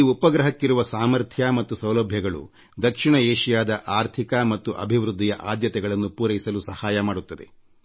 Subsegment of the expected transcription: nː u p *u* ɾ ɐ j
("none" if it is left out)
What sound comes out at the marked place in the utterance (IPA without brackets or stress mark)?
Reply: uː